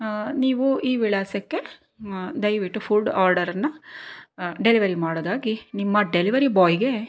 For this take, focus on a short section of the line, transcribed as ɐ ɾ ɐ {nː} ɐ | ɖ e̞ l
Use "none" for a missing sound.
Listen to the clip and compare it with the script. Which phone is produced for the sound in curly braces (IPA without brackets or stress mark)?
nː